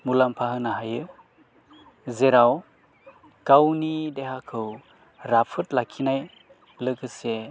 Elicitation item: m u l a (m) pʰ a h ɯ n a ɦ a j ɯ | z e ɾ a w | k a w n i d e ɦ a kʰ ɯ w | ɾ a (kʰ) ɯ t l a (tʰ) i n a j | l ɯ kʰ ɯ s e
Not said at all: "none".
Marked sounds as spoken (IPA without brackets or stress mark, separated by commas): m, pʰ, kʰ